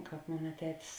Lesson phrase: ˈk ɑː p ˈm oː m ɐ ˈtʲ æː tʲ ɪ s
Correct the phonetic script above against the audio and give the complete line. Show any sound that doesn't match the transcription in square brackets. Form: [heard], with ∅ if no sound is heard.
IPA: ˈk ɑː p ˈm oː [n] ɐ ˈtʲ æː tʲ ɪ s